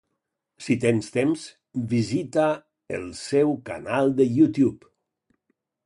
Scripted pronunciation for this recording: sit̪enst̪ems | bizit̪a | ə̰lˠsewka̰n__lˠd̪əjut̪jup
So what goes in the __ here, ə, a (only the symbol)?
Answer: a